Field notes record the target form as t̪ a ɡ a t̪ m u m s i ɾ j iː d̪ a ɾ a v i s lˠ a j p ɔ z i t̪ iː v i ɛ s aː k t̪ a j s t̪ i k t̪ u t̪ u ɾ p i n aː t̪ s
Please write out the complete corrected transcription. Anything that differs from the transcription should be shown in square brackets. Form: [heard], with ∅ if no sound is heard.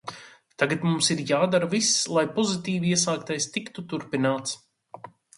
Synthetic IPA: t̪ a ɡ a t̪ m u m s i ɾ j [aː] d̪ a ɾ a v i s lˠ a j p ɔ z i t̪ iː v i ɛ s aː k t̪ a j s t̪ i k t̪ u t̪ u ɾ p i n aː t̪ s